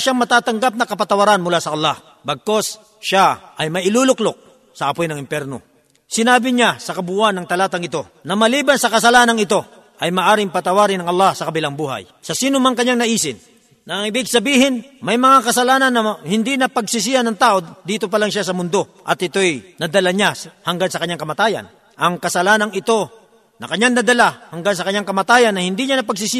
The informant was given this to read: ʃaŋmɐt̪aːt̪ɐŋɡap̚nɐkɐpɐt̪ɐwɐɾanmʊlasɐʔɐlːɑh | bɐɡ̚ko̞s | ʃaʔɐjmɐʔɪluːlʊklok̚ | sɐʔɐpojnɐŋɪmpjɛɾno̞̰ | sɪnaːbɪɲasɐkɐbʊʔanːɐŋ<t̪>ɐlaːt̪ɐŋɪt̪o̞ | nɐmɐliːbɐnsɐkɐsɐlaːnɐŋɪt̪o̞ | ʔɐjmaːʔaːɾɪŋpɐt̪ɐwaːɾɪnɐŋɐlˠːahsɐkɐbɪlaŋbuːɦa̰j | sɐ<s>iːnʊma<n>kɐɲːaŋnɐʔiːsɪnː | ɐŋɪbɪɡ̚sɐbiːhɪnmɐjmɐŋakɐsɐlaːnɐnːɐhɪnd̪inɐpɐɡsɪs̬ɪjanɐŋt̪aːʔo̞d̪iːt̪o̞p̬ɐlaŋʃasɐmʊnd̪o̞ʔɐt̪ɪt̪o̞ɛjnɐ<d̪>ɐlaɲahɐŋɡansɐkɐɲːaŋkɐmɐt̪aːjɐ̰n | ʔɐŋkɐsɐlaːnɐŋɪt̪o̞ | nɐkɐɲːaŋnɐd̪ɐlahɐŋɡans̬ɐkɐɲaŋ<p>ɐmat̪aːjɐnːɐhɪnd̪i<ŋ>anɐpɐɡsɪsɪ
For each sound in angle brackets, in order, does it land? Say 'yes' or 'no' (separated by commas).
yes, yes, no, yes, no, no